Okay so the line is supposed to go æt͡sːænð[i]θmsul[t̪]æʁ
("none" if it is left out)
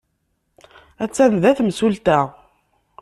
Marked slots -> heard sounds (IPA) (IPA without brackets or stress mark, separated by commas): æ, t̪